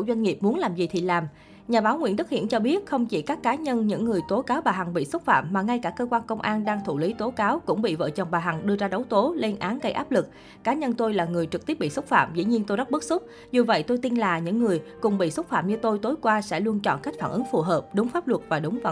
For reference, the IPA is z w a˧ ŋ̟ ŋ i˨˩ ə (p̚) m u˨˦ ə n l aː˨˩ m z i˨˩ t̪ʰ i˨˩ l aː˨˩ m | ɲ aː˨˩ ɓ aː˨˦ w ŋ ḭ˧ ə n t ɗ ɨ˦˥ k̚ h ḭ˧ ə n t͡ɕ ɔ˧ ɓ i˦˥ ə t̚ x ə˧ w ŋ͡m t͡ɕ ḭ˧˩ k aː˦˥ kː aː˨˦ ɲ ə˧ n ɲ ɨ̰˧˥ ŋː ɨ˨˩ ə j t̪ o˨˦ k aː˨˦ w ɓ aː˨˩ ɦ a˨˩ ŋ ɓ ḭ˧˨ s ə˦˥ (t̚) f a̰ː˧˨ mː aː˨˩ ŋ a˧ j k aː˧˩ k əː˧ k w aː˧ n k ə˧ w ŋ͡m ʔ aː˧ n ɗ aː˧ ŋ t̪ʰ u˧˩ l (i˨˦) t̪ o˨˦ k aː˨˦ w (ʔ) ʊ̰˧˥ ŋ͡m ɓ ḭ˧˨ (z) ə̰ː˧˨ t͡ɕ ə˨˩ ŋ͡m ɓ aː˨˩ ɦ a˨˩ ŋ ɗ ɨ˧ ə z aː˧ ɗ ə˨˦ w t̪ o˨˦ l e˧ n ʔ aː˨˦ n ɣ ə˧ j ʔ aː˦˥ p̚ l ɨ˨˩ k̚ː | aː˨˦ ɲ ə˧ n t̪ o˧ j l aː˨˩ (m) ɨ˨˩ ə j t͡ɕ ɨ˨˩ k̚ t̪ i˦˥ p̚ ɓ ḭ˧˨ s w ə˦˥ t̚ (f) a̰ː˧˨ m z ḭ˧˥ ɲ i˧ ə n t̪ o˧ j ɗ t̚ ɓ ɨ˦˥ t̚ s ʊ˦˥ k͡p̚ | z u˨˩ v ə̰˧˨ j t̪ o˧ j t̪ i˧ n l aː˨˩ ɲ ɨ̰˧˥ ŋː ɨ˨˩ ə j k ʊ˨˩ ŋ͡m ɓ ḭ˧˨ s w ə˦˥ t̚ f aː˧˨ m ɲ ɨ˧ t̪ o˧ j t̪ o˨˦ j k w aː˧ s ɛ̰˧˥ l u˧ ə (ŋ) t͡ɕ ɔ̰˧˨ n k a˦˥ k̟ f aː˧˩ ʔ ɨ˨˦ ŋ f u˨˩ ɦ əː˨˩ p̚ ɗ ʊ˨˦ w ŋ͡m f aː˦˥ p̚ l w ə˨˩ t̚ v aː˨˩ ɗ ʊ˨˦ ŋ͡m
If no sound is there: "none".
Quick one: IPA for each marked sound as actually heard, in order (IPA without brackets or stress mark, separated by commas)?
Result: p̚, t̚, i˨˦, k, v, ŋ, f, n